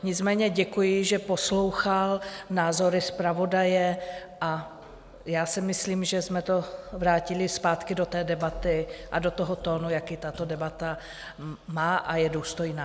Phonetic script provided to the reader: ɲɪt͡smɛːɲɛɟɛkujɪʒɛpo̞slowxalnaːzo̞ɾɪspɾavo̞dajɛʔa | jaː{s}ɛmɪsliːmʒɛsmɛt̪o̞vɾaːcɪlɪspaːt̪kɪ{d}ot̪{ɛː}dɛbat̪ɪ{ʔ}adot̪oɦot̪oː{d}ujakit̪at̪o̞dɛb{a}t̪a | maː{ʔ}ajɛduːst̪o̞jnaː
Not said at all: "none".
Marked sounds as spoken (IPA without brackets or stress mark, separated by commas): s, d, ɛː, ʔ, n, a, ʔ